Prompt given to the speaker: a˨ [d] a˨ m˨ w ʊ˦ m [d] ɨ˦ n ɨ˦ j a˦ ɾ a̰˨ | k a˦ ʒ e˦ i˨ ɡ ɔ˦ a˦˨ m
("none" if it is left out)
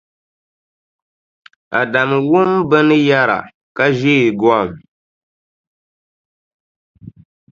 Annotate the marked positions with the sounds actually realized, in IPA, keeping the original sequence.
d, b

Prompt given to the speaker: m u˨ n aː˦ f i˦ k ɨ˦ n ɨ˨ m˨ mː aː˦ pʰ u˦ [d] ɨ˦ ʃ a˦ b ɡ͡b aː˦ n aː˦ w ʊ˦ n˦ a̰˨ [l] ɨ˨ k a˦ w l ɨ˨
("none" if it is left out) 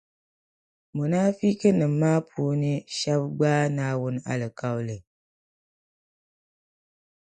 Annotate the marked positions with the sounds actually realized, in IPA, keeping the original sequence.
n, l

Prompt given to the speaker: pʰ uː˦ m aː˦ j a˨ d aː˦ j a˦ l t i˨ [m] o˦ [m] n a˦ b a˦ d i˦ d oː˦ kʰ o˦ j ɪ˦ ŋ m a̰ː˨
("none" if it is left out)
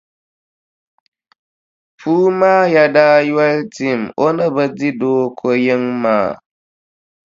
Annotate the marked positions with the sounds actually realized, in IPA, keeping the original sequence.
m, none

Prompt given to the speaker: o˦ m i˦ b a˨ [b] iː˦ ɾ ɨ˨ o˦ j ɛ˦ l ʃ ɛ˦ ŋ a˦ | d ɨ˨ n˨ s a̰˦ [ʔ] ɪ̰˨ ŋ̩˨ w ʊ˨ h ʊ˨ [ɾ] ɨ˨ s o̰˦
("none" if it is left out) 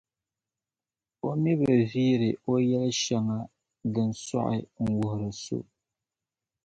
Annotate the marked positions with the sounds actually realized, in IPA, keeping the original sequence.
v, ʔ, ɾ

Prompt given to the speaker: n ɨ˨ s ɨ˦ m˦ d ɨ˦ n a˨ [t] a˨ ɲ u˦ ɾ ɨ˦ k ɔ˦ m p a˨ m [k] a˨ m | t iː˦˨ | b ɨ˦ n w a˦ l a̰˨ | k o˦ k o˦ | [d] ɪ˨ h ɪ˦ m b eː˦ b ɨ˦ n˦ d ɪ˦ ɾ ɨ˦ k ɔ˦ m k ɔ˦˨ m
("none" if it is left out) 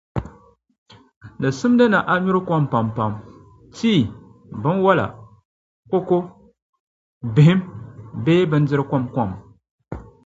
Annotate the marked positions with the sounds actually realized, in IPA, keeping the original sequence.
ʔ, p, b

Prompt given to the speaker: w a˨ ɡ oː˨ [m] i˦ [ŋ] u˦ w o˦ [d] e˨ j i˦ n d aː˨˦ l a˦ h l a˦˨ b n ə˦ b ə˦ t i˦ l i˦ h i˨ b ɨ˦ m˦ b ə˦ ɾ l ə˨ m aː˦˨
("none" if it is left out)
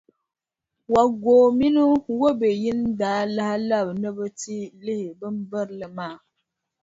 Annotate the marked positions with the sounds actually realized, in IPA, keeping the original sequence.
m, n, b

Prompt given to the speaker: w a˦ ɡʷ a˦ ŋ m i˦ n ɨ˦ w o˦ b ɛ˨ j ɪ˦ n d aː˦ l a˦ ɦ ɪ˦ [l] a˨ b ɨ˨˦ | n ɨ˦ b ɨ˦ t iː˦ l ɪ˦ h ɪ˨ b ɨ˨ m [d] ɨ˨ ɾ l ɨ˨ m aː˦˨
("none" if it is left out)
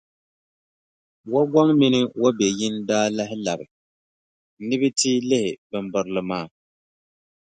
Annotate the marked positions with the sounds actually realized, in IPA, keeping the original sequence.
l, b

